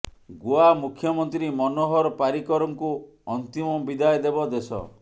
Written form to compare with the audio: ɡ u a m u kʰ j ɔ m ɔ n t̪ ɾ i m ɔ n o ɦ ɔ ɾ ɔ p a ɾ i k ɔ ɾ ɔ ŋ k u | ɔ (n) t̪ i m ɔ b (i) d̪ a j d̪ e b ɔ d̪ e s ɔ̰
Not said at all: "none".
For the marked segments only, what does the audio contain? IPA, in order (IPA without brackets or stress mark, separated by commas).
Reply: n, i